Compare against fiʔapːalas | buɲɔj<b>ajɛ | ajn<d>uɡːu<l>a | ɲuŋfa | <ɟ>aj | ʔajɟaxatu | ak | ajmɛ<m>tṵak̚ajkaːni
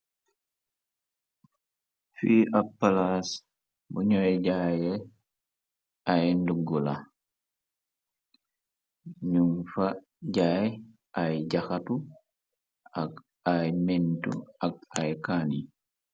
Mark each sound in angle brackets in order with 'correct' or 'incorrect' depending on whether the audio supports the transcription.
incorrect, correct, correct, correct, incorrect

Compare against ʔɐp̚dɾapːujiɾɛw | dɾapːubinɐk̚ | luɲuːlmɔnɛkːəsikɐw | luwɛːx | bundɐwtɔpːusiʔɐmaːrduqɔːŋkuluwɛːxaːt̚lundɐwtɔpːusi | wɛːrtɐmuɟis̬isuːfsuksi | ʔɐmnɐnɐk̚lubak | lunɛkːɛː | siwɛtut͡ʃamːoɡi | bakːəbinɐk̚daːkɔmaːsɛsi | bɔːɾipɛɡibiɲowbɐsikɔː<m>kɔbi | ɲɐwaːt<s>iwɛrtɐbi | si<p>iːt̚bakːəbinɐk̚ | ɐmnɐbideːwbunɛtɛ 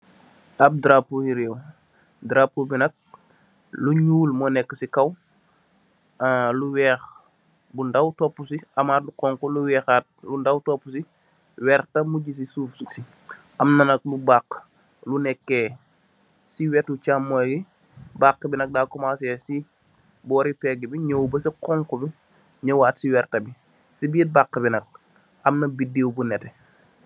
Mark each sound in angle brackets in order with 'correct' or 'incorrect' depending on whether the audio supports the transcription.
incorrect, correct, incorrect

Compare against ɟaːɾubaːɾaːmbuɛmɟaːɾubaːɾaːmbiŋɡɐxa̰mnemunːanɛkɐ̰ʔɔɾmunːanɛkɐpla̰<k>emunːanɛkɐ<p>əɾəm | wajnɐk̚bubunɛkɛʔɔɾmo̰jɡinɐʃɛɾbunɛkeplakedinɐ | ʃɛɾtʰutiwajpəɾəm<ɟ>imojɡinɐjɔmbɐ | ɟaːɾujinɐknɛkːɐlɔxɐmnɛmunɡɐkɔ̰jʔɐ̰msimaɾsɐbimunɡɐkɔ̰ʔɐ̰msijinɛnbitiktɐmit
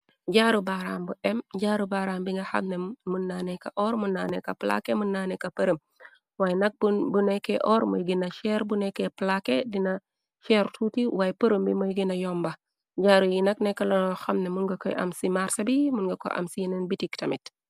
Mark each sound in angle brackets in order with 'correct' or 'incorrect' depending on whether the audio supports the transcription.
correct, correct, incorrect

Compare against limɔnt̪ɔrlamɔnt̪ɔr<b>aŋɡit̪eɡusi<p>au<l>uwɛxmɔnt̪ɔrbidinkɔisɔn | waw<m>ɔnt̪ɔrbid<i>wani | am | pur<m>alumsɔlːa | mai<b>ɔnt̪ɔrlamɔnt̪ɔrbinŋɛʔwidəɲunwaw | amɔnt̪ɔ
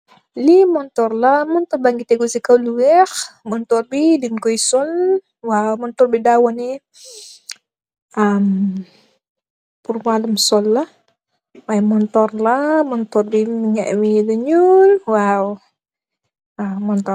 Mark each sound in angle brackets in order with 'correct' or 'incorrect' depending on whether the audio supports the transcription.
correct, incorrect, correct, correct, incorrect, correct, incorrect

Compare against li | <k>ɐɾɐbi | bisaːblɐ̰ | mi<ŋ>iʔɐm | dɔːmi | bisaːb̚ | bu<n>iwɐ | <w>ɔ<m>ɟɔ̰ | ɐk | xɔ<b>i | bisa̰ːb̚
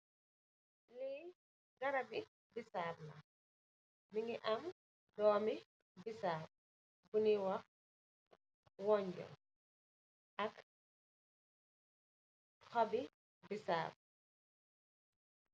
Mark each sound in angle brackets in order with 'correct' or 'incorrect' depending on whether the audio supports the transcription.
incorrect, correct, correct, correct, incorrect, correct

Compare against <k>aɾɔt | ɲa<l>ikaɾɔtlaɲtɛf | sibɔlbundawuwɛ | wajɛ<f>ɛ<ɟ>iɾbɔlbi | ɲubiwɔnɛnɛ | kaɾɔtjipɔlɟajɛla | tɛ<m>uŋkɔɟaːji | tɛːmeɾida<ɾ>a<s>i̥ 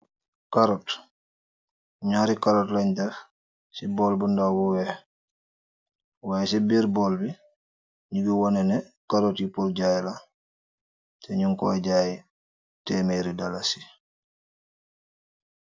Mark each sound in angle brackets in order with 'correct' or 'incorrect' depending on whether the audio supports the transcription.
correct, incorrect, incorrect, incorrect, incorrect, incorrect, correct

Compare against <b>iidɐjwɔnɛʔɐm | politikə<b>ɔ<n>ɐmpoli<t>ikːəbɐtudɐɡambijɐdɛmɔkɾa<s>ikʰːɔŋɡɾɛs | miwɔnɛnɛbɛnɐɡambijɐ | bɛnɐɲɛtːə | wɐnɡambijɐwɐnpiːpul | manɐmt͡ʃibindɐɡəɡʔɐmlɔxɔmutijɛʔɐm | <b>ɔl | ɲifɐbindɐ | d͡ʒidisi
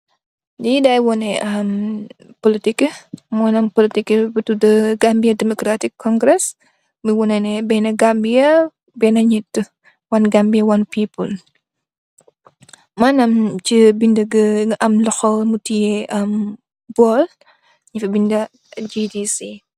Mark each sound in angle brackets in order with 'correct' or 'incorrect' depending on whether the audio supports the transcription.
incorrect, incorrect, correct, correct, incorrect, correct

